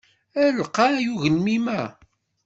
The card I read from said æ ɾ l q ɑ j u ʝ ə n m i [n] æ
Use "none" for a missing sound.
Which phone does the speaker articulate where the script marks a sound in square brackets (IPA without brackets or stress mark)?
m